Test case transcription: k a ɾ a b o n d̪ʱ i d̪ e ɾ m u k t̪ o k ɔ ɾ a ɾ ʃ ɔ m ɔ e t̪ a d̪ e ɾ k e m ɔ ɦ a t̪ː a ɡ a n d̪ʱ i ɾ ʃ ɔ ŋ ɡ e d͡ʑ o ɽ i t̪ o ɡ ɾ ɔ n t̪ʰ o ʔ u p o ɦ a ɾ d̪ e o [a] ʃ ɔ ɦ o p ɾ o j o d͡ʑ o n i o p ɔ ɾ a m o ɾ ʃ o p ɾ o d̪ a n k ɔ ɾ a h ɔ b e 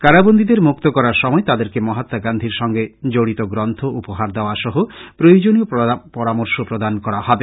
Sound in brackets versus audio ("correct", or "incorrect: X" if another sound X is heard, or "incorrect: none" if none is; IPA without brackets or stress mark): correct